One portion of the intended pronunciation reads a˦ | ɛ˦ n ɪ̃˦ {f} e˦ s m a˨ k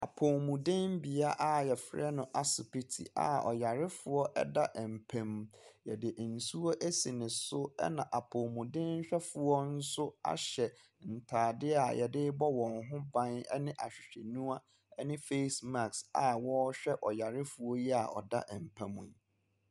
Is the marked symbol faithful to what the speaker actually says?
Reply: yes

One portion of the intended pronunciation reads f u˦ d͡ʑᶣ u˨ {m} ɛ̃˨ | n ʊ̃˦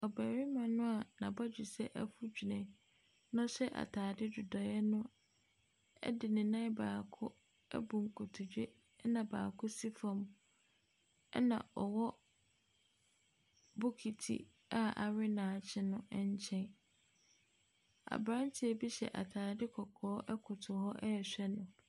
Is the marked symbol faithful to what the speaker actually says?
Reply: no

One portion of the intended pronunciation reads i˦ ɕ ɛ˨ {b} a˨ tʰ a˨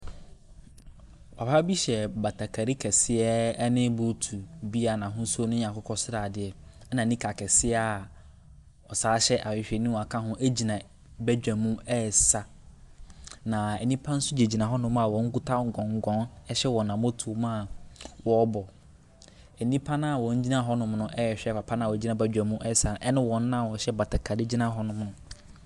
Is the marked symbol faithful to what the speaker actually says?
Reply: yes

